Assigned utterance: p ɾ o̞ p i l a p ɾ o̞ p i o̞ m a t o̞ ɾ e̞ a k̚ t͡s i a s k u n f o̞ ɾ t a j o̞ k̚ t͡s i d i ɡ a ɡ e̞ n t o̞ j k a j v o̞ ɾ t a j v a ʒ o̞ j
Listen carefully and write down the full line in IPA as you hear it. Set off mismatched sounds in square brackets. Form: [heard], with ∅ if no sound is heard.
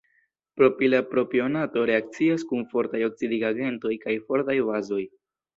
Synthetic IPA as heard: p ɾ o̞ p i l a p ɾ o̞ p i o̞ [n] a t o̞ ɾ e̞ a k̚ t͡s i a s k u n f o̞ ɾ t a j o̞ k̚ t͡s i d i ɡ a ɡ e̞ n t o̞ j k a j [f] o̞ ɾ t a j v a [z] o̞ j